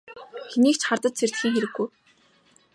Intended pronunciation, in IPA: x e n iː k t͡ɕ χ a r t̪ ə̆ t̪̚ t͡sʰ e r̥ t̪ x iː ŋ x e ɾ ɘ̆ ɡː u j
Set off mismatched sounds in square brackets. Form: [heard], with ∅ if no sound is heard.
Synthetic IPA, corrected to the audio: x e n iː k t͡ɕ χ a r t̪ ə̆ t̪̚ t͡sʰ e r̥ t̪ x iː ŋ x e ɾ ɘ̆ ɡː u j